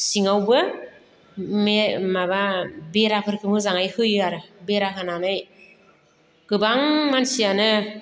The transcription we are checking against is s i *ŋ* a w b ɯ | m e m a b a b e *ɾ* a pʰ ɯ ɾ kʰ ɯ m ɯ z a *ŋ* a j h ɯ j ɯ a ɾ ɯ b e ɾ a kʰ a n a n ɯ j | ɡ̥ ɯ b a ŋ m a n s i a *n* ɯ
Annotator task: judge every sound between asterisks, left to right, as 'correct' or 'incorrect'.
correct, correct, correct, correct

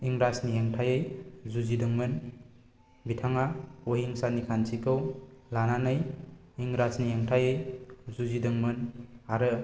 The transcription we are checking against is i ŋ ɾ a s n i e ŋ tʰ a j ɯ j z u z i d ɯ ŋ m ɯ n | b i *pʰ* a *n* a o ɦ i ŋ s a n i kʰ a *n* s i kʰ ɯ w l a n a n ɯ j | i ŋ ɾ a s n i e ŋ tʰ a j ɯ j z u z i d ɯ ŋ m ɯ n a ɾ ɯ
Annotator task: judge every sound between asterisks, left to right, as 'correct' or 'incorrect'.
incorrect: tʰ, incorrect: ŋ, correct

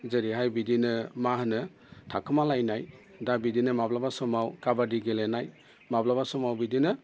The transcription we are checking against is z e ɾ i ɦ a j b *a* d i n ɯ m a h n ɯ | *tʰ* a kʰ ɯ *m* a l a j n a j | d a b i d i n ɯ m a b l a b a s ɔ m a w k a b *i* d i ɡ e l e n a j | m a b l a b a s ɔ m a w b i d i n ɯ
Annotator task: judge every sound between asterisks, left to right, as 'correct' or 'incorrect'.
incorrect: i, correct, correct, incorrect: a

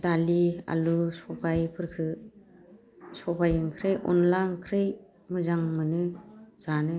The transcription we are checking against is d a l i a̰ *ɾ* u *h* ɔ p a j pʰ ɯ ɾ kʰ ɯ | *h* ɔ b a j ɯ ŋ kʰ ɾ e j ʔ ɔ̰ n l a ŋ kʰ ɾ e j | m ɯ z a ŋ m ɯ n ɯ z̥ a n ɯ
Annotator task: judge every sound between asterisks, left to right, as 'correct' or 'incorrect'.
incorrect: l, incorrect: s, incorrect: s

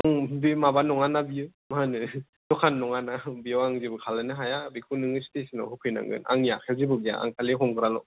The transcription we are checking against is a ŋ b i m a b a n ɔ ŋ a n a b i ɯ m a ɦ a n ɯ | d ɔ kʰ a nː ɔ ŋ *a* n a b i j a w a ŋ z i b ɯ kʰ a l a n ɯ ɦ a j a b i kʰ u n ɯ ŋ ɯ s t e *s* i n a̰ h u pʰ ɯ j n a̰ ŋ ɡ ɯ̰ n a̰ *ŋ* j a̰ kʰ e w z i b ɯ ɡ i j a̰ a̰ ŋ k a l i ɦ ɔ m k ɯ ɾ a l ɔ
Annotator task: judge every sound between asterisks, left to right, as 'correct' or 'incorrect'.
correct, correct, correct

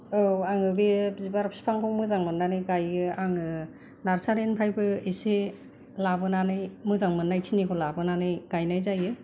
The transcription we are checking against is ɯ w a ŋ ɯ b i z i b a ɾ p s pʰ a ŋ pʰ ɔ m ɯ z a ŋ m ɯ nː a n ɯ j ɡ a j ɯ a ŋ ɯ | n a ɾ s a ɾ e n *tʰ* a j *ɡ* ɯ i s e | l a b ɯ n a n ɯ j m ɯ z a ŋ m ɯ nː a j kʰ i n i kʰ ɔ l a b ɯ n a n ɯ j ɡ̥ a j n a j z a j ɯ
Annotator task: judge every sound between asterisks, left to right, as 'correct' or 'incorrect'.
incorrect: pʰ, incorrect: b

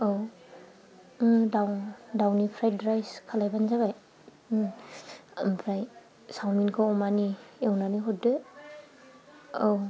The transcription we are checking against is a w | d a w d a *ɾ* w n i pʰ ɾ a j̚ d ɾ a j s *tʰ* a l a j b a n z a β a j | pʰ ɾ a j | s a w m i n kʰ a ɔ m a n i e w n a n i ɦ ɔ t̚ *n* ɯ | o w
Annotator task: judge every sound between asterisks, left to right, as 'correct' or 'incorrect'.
incorrect: none, incorrect: kʰ, incorrect: d

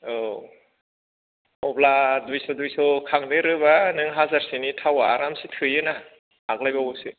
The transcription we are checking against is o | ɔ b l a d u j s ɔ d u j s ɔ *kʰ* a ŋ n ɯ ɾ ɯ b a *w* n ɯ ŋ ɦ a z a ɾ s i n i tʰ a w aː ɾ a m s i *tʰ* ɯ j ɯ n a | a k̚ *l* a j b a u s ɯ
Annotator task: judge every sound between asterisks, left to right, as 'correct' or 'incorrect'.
correct, incorrect: none, correct, correct

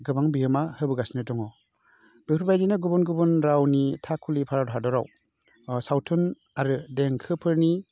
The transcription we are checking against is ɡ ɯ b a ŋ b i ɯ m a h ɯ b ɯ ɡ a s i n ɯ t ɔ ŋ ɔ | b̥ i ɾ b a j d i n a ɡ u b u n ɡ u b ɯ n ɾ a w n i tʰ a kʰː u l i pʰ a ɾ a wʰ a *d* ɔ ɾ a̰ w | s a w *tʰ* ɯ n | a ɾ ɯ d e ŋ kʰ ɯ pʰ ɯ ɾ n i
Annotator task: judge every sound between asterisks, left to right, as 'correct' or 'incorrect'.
correct, correct

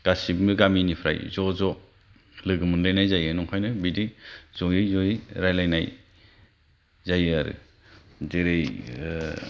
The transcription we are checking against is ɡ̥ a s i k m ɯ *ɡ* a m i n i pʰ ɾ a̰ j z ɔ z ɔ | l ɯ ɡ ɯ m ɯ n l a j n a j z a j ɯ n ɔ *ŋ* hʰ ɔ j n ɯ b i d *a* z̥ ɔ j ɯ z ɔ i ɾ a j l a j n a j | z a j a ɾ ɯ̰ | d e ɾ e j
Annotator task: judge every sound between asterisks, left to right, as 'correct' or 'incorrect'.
correct, correct, incorrect: i

